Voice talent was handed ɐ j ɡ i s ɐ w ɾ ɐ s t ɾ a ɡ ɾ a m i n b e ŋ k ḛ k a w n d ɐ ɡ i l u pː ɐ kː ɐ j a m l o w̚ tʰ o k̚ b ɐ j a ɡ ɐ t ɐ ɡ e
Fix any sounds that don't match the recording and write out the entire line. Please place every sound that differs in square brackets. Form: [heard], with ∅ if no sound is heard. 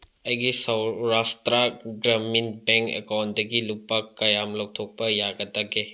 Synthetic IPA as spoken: ɐ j ɡ i s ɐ w ɾ [a] s t ɾ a ɡ ɾ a m i n b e ŋ k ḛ k a w n d ɐ ɡ i l u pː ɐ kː ɐ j a m l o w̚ tʰ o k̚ [p] ɐ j a ɡ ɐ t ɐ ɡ e